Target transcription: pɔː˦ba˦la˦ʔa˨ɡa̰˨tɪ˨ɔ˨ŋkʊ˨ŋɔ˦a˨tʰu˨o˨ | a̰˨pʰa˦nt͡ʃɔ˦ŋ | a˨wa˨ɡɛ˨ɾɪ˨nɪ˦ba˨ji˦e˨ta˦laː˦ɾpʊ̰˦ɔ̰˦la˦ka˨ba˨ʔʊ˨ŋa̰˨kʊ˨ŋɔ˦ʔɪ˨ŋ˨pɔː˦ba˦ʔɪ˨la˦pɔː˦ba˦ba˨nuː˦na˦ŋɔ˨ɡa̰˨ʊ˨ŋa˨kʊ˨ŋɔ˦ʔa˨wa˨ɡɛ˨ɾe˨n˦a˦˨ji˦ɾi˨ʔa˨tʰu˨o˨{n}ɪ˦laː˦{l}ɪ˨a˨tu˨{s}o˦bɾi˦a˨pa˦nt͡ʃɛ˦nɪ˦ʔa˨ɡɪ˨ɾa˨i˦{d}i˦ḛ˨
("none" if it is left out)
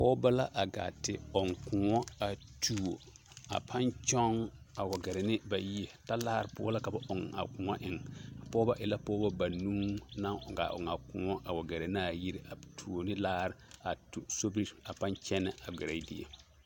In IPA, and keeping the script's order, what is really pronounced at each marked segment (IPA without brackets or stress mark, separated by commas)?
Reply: n, ɾ, s, d